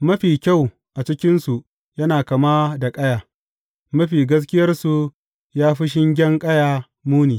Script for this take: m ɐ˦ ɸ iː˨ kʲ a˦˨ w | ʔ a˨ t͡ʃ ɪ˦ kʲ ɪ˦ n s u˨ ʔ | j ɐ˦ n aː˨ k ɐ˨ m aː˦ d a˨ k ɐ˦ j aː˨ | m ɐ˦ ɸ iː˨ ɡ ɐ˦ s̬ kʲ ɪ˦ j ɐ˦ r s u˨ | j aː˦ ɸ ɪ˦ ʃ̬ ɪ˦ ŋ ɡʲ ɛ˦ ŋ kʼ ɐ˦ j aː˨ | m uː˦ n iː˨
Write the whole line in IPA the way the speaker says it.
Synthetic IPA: m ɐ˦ ɸ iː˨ kʲ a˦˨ w | ʔ a˨ t͡ʃ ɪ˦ kʲ ɪ˦ n s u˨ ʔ | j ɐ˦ n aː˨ k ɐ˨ m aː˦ d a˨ kʼ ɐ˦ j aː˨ | m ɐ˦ ɸ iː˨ ɡ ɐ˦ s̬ kʲ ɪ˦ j ɐ˦ r s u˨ | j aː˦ ɸ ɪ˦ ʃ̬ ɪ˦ ŋ ɡʲ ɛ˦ ŋ kʼ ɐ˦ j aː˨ | m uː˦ n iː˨